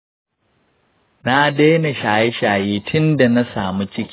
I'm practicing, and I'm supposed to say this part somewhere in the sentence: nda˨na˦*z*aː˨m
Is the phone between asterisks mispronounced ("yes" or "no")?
yes